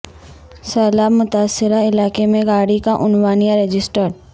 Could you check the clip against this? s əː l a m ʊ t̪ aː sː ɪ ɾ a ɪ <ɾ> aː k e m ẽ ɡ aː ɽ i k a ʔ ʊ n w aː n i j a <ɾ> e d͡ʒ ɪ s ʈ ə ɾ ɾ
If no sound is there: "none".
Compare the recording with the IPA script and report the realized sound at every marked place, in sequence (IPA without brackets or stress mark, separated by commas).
l, ɾ